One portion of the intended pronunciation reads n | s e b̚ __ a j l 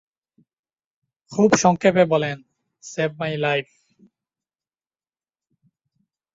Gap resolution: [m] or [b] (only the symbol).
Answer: m